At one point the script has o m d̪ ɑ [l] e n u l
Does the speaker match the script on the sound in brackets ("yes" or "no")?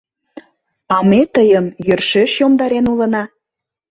no